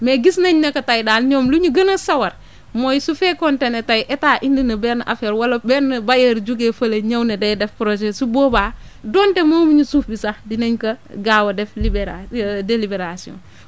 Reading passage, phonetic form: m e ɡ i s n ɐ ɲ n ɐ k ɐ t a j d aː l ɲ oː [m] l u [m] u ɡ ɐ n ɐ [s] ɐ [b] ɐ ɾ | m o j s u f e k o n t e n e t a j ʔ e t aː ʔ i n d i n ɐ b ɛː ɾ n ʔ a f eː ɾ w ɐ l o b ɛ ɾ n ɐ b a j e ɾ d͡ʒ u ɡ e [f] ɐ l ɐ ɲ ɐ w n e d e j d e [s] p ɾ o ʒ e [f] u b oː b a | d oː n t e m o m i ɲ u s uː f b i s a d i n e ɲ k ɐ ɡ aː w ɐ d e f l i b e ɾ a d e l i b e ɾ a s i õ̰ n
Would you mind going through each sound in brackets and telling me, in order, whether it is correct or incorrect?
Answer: correct, incorrect: ɲ, correct, incorrect: w, correct, incorrect: f, incorrect: s

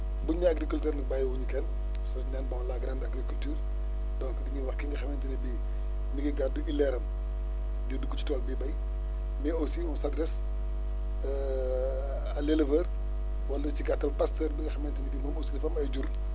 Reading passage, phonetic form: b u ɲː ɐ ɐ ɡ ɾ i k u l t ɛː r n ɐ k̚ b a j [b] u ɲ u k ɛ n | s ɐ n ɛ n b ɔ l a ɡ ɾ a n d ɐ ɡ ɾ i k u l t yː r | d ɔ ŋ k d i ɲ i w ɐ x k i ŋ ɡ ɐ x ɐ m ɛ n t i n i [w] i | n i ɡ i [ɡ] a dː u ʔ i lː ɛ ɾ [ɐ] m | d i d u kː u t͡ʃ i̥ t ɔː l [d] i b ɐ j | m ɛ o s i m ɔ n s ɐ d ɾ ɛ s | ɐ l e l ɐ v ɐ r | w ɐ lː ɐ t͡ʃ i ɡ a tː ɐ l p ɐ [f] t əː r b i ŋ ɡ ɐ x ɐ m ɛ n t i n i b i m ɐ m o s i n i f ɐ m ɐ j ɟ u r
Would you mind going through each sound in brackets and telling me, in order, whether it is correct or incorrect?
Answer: incorrect: w, incorrect: b, correct, correct, incorrect: b, incorrect: s

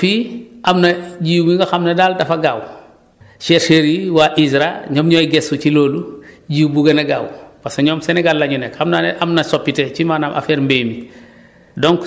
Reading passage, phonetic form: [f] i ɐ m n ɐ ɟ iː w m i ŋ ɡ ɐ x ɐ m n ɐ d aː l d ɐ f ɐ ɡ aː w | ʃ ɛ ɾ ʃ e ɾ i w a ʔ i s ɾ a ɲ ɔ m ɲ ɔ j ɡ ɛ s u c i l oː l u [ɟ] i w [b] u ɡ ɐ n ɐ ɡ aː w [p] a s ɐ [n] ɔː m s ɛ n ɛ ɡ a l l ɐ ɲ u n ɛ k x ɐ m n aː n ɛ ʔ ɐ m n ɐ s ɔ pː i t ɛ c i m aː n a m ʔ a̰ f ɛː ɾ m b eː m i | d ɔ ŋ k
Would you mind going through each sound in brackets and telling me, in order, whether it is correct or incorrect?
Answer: correct, correct, correct, correct, incorrect: ɲ

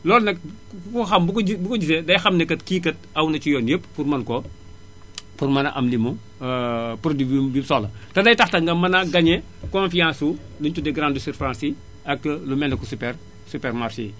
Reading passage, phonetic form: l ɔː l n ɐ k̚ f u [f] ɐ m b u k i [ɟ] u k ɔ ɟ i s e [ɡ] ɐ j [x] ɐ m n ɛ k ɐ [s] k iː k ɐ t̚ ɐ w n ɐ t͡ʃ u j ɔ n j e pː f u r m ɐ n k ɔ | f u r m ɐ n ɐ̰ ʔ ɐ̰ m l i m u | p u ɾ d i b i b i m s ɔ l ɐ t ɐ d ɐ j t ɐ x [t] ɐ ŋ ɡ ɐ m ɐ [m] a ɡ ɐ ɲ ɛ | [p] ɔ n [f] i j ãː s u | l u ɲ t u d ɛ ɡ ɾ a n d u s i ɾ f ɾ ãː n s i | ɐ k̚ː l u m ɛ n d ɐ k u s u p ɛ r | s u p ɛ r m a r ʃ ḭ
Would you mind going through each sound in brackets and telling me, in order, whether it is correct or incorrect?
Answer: incorrect: x, incorrect: b, incorrect: d, correct, incorrect: t, correct, incorrect: n, incorrect: k, correct

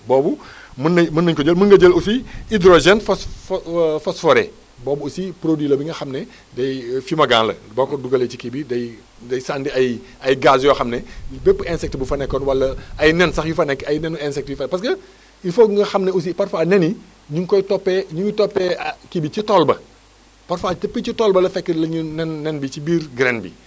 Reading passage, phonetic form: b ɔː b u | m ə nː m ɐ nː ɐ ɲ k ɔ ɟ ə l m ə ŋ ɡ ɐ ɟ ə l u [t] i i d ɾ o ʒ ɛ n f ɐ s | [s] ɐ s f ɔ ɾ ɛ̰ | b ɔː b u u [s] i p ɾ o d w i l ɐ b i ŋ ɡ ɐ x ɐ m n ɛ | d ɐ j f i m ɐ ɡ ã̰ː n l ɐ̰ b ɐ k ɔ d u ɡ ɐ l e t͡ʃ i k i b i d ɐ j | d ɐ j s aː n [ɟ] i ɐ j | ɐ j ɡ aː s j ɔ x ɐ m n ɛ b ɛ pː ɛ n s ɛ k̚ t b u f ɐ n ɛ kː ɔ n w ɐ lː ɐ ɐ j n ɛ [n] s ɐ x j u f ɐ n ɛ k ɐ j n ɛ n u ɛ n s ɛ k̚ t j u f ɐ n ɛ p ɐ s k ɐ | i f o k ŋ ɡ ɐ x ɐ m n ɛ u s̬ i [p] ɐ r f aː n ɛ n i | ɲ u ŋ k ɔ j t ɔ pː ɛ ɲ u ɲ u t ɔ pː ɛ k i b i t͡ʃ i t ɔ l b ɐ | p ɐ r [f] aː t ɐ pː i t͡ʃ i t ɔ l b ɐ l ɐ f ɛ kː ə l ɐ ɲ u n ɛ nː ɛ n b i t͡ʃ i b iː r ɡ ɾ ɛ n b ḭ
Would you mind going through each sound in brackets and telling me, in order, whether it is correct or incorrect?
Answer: incorrect: s, incorrect: f, correct, incorrect: d, correct, correct, correct

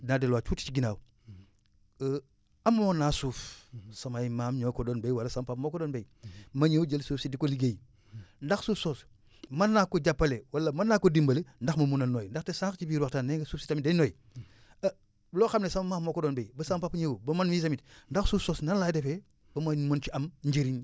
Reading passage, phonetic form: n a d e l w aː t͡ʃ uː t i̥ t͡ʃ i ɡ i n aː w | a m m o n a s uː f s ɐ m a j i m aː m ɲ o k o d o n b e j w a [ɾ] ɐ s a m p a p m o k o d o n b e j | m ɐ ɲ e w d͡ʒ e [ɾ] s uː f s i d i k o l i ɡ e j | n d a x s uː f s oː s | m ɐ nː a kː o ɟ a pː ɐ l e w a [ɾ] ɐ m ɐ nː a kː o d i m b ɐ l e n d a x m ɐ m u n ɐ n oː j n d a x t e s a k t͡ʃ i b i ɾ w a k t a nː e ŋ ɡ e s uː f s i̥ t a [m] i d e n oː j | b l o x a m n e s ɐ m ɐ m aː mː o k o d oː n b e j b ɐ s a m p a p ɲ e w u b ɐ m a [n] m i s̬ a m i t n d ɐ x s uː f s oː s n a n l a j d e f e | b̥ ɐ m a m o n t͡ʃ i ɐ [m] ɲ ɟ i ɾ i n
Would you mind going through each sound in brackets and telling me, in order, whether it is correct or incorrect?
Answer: incorrect: l, incorrect: l, incorrect: l, correct, correct, correct

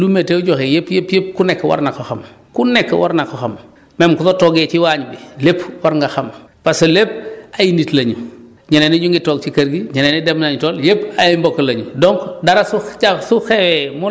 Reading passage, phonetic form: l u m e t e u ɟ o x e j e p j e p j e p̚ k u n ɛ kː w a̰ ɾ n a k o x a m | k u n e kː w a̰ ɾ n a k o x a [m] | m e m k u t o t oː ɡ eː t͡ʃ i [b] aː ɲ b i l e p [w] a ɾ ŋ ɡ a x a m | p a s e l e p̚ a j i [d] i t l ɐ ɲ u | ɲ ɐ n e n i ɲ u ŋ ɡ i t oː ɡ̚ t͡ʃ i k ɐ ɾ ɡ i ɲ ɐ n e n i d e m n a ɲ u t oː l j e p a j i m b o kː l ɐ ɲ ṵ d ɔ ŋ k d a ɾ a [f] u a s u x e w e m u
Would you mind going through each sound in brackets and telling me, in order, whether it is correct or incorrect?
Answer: correct, incorrect: w, correct, incorrect: n, incorrect: s

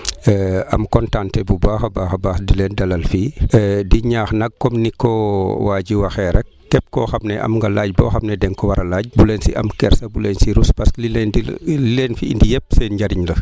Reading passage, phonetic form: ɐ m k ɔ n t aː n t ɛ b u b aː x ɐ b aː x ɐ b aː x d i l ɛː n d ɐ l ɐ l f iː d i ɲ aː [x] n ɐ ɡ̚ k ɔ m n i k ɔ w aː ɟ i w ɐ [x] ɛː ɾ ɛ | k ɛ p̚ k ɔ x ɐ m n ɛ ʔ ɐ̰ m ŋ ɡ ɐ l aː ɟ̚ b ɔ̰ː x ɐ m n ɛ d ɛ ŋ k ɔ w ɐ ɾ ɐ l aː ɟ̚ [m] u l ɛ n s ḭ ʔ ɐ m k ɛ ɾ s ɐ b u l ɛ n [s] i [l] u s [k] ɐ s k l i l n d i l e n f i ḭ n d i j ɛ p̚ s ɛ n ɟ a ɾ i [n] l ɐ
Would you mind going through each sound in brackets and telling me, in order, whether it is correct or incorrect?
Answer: correct, correct, incorrect: b, correct, incorrect: ɾ, incorrect: p, incorrect: ɲ

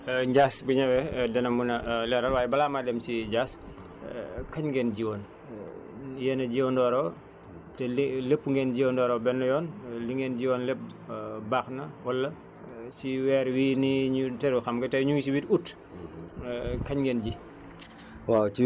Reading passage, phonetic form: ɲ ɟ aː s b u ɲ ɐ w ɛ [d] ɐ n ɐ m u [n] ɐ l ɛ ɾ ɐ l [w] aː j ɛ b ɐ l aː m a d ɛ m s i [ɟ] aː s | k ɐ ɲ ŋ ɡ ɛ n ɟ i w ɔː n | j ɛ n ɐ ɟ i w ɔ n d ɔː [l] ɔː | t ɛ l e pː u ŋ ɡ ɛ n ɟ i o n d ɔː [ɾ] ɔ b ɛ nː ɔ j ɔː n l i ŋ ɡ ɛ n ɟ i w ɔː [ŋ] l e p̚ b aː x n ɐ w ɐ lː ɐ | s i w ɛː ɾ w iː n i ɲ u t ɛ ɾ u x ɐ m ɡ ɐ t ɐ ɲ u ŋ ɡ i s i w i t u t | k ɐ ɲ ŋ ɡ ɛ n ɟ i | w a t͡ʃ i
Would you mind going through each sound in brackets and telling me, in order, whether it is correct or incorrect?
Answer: correct, correct, correct, correct, incorrect: ɾ, correct, incorrect: n

